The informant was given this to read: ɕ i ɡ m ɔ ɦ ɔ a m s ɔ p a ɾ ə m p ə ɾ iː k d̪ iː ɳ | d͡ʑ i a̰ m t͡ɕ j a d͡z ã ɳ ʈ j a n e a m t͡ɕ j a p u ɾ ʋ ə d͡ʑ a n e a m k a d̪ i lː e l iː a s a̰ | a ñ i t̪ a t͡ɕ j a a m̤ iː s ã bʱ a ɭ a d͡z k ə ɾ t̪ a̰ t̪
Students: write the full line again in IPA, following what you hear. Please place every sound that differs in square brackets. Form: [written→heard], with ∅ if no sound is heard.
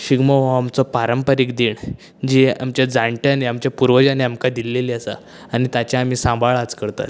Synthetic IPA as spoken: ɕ i ɡ m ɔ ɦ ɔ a m [s→t͡s] ɔ p a ɾ ə m p ə ɾ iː k d̪ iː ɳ | d͡ʑ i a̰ m t͡ɕ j a d͡z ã ɳ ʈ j a n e a m t͡ɕ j a p u ɾ ʋ ə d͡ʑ a n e a m k a d̪ i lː e l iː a s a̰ | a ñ i t̪ a t͡ɕ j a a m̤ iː s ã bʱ a ɭ a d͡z k ə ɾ t̪ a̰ t̪